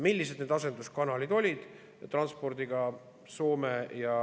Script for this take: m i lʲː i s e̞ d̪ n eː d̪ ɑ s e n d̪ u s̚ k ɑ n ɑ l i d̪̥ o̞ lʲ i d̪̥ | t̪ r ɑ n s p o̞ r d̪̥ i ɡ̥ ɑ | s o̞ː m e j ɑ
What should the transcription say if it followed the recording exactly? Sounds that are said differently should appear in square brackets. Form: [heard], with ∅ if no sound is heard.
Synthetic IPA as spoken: m i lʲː i s e̞ d̪ n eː d̪ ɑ s e n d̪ u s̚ k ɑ n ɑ l i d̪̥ o̞ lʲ i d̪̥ | t̪ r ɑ n s p o̞ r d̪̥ i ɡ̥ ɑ | s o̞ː m e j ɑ